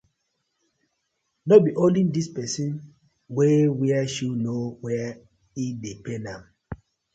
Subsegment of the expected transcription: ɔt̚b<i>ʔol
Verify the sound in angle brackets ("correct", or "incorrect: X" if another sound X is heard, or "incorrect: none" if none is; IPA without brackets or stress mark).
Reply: correct